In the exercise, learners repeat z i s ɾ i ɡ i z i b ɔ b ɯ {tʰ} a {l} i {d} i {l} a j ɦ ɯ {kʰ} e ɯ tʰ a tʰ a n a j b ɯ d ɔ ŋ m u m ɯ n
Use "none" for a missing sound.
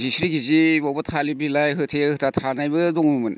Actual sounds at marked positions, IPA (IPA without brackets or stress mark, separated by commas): tʰ, l, b, l, tʰ